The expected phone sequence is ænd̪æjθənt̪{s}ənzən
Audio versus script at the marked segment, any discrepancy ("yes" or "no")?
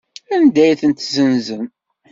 yes